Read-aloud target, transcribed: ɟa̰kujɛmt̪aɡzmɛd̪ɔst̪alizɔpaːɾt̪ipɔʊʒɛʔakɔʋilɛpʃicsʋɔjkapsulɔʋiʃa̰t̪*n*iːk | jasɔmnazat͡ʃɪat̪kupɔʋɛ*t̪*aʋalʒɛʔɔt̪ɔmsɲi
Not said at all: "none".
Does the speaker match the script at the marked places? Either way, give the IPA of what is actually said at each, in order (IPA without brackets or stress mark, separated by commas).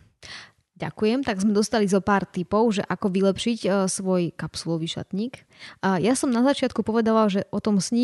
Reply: ɲ, d̪